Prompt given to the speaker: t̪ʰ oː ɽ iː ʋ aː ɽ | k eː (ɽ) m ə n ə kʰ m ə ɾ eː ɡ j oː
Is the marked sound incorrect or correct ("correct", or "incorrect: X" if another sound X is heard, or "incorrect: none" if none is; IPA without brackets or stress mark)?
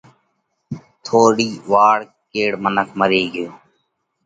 correct